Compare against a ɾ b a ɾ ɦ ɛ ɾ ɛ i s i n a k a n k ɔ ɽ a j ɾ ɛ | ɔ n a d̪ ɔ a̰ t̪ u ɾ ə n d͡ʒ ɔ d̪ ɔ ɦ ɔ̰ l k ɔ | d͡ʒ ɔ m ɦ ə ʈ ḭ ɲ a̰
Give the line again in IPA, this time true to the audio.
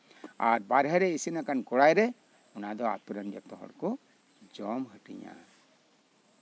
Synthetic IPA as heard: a ɾ b a ɾ ɦ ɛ ɾ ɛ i s i n a k a n k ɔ ɽ a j ɾ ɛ | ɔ n a d̪ ɔ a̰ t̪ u ɾ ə n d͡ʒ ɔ t̪ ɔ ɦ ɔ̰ ɽ k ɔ | d͡ʒ ɔ m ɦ ə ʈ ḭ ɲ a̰